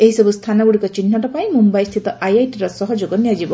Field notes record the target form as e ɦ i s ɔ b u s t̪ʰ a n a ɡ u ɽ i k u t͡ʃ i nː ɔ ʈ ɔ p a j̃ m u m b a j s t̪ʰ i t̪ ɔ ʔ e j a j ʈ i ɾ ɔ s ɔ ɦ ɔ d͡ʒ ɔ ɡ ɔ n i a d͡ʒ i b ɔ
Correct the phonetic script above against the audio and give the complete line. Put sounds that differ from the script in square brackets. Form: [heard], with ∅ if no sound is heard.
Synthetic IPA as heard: e ɦ i s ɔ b u s t̪ʰ a n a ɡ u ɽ i k [ɔ] t͡ʃ i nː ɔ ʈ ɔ p a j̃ m u m b a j s t̪ʰ i t̪ ɔ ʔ [a] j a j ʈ i ɾ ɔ s ɔ ɦ ɔ d͡ʒ [o] ɡ ɔ n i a d͡ʒ i b ɔ